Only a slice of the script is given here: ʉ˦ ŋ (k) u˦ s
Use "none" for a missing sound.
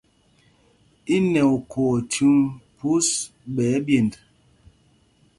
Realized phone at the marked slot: p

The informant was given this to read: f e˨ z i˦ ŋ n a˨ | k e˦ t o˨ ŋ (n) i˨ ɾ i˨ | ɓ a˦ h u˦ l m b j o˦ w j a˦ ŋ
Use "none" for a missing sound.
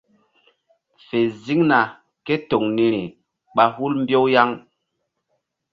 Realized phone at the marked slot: n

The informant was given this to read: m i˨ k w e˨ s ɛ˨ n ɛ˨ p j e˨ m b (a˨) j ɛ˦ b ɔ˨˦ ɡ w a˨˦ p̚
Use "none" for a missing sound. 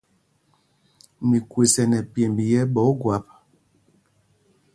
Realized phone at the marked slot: i˨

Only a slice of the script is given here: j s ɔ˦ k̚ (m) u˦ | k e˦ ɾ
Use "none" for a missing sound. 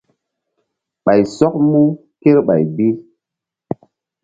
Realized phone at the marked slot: m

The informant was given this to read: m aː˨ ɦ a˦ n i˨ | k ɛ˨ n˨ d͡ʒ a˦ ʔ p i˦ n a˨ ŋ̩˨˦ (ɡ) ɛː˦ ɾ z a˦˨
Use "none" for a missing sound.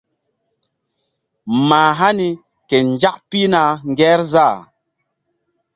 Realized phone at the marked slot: ɡ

